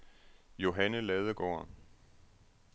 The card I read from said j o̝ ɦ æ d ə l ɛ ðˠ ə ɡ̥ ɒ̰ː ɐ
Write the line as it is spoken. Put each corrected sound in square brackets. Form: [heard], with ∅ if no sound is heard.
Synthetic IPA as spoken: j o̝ ɦ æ [n] ə l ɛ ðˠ ə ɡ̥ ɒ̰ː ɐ